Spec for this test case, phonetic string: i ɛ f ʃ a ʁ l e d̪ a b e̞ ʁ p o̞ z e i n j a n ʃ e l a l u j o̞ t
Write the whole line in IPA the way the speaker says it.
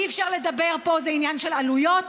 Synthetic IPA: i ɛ f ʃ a ʁ l e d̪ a b e̞ ʁ p o̞ z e i n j a n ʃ e l a l u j o̞ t